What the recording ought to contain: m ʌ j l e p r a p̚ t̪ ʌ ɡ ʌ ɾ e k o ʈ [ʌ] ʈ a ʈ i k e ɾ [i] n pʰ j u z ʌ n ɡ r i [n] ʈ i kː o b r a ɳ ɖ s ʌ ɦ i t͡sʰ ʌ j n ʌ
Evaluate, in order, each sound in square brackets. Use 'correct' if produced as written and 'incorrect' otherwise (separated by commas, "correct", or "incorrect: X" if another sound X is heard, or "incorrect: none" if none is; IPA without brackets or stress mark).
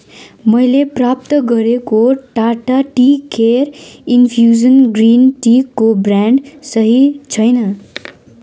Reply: incorrect: a, correct, correct